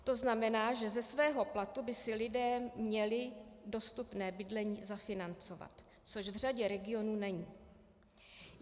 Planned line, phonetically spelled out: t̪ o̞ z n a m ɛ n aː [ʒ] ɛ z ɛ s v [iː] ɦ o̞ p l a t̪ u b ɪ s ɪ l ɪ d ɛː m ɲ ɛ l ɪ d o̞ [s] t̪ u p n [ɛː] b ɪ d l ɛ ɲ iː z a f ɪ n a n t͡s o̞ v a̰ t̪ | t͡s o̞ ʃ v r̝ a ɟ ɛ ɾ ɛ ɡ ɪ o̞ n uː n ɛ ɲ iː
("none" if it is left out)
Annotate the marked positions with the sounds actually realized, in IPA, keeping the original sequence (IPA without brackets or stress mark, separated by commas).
ʒ, ɛː, s, ɛː